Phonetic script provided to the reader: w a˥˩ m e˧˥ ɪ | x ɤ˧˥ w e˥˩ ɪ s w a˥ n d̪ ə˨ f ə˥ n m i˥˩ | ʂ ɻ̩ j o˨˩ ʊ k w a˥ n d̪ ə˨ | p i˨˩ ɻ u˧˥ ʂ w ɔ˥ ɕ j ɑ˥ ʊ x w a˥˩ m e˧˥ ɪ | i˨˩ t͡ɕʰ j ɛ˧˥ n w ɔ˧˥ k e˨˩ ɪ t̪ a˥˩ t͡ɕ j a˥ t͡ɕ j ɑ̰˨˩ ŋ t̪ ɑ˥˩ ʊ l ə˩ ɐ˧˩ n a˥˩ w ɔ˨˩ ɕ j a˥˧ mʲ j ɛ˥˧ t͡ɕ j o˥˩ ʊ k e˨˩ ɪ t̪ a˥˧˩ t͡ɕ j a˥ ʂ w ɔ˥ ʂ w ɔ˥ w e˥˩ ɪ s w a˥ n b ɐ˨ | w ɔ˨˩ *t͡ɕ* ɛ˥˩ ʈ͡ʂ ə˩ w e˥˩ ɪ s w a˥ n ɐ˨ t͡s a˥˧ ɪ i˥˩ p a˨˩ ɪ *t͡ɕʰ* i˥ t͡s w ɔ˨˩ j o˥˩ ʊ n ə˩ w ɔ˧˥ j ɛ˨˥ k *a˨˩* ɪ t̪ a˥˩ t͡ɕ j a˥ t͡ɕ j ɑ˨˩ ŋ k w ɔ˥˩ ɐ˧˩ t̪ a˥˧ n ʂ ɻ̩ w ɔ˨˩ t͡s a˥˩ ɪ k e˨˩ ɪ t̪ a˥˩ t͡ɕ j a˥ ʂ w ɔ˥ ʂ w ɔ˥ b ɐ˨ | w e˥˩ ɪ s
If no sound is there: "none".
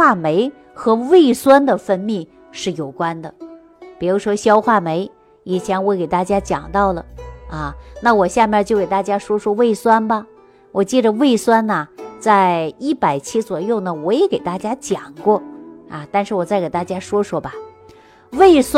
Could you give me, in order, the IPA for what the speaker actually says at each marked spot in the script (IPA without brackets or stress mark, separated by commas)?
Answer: t͡ɕ, t͡ɕʰ, e˨˩